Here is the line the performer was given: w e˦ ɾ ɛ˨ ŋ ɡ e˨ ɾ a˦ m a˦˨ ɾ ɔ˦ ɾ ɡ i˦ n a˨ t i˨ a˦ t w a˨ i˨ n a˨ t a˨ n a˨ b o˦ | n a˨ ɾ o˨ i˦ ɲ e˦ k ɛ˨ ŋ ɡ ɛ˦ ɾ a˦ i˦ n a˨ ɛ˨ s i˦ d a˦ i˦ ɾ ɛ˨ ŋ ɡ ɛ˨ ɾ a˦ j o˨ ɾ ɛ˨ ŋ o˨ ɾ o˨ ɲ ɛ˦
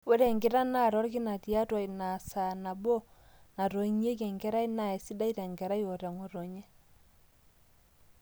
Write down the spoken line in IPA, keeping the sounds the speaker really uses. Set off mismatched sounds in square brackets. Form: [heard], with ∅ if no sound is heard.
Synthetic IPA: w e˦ ɾ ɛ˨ ŋ ɡ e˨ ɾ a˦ [n] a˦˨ ɾ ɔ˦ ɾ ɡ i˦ n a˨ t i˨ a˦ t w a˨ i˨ n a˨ [s] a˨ n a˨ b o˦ | n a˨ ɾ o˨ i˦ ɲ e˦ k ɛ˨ ŋ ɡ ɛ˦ ɾ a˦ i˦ n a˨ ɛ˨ s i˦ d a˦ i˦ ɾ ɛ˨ ŋ ɡ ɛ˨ ɾ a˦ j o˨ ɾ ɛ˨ ŋ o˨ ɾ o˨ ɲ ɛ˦